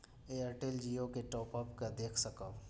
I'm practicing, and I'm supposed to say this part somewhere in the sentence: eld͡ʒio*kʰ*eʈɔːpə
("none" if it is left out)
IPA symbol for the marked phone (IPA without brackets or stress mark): k